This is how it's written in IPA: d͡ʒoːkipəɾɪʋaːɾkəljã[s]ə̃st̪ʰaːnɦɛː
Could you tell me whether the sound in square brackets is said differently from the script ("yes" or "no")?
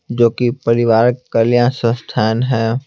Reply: no